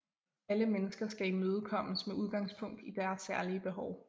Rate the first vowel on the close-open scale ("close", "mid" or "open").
open